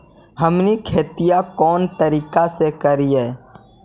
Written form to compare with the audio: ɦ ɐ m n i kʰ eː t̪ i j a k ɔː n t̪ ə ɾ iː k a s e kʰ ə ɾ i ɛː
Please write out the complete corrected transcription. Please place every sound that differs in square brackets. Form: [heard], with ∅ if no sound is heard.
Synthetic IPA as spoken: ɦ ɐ m n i kʰ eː t̪ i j a k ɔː n t̪ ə ɾ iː k a s e [k] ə ɾ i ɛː